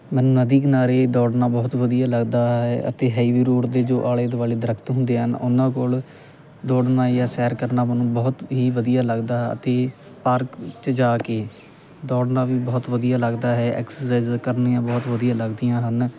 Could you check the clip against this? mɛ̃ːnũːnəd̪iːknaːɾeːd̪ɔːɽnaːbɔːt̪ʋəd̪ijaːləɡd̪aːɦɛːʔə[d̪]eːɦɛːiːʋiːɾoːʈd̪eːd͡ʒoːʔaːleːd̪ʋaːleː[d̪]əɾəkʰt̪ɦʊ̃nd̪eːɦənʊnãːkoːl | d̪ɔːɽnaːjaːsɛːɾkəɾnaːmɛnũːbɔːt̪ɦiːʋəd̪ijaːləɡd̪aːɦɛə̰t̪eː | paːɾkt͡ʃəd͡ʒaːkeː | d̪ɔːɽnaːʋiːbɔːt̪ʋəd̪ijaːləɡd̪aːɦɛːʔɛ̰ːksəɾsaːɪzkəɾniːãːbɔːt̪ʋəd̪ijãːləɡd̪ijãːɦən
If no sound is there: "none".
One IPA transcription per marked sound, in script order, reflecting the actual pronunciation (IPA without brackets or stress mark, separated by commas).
t̪, d̪